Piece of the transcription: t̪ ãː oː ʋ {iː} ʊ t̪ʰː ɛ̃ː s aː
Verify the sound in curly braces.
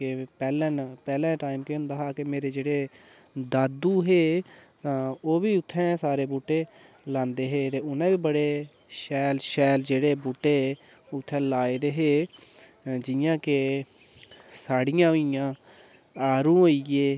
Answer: correct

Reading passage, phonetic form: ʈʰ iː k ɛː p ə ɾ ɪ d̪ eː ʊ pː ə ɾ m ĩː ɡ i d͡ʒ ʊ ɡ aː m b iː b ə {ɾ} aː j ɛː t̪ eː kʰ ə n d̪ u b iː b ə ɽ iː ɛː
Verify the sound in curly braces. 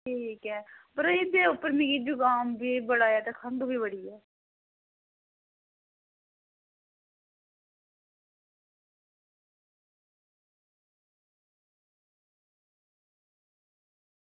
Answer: incorrect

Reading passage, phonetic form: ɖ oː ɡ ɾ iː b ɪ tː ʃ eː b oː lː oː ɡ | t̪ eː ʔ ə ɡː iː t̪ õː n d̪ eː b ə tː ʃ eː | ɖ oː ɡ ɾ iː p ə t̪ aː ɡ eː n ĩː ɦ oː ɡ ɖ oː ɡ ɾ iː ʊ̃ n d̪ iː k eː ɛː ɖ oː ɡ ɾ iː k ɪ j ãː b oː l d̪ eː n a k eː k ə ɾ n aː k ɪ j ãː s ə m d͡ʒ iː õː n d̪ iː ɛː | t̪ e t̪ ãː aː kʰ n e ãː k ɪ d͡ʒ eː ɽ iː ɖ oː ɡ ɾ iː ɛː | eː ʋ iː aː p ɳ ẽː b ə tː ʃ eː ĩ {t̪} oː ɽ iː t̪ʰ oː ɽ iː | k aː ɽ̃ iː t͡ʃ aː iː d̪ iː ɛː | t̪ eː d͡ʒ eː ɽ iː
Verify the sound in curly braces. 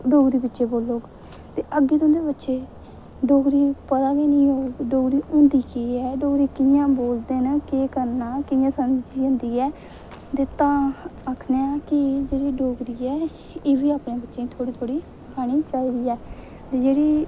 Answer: incorrect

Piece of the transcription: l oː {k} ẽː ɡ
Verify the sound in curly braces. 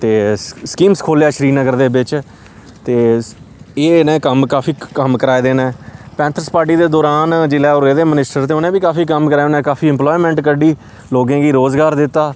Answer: incorrect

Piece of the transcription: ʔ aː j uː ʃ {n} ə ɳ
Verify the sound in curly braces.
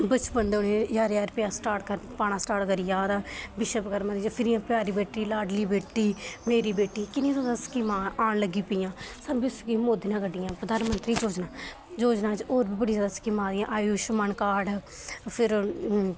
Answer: incorrect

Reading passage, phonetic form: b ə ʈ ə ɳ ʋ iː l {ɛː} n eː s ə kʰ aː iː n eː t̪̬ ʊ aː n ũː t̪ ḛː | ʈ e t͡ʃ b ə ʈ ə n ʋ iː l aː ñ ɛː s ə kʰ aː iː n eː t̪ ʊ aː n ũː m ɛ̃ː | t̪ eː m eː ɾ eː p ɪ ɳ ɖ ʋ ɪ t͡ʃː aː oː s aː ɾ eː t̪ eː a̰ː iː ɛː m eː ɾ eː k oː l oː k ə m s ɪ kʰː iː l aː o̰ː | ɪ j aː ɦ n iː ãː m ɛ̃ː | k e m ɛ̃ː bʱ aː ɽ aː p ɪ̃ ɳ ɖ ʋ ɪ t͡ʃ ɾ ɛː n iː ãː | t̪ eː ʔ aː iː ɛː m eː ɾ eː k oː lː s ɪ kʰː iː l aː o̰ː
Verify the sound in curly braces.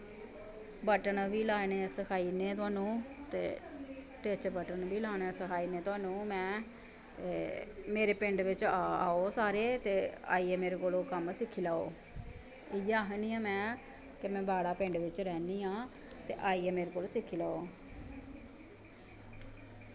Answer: incorrect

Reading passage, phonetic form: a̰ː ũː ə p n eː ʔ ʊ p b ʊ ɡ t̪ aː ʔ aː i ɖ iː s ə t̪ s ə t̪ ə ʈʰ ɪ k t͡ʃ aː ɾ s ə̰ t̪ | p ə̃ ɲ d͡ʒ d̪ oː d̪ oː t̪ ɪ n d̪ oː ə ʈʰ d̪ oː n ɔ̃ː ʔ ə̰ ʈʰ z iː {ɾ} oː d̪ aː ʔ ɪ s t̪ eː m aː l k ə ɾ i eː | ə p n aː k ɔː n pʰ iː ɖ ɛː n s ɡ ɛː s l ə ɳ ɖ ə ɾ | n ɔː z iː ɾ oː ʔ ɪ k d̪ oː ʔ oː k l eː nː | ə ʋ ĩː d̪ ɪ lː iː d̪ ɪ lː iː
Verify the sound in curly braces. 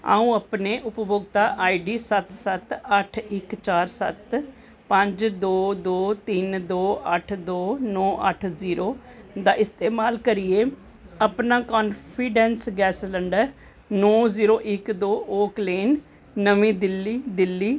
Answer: correct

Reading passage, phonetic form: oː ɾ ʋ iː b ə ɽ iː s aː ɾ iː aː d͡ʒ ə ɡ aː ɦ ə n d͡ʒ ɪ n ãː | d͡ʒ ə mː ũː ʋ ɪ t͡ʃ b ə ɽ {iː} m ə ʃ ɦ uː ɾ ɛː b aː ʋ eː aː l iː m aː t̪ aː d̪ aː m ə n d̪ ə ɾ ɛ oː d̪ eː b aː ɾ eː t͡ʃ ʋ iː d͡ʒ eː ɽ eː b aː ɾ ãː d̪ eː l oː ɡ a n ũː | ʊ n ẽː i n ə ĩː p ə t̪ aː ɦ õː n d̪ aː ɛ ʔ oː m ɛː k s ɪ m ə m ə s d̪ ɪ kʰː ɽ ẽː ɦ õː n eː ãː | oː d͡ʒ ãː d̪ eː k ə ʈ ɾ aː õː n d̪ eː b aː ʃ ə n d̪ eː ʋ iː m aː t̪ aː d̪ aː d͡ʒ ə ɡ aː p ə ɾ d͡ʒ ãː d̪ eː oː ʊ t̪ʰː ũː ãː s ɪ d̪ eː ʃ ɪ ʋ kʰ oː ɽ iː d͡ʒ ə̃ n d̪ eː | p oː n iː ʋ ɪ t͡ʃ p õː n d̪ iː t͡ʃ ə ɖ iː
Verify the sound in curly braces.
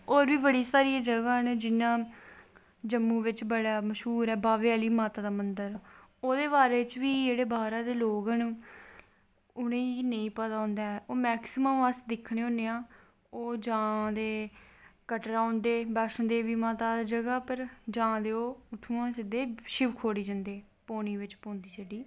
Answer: incorrect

